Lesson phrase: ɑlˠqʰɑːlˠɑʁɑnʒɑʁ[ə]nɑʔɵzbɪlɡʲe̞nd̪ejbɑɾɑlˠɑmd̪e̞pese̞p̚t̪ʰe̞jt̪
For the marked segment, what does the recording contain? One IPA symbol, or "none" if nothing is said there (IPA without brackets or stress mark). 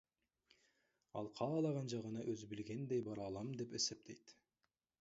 ə